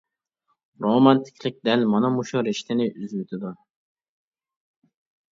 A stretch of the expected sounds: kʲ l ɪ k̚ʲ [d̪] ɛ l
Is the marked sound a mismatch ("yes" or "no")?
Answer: no